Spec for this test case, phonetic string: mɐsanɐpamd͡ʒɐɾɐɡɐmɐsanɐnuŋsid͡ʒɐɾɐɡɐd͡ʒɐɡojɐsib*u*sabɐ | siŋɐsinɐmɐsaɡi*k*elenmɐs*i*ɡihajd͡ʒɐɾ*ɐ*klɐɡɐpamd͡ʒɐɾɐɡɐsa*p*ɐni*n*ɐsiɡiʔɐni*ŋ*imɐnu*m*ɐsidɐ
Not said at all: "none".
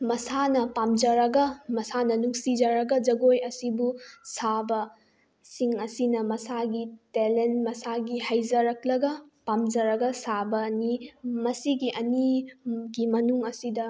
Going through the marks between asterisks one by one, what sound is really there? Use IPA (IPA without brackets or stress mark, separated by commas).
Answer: u, t, a, ɐ, b, m, ɡ, ŋ